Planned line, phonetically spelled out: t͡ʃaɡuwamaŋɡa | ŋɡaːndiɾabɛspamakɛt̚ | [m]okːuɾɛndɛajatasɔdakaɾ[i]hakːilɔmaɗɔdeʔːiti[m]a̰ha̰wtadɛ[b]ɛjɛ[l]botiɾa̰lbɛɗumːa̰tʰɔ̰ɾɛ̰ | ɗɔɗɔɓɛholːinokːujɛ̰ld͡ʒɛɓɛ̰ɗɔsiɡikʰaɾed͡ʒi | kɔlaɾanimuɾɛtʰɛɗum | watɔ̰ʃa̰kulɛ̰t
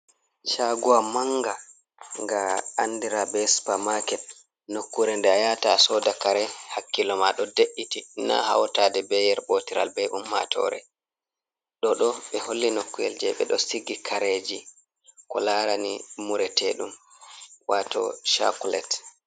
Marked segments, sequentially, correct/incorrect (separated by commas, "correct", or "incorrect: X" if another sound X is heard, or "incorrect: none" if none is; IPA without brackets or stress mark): incorrect: n, incorrect: ɛ, incorrect: n, correct, incorrect: ɾ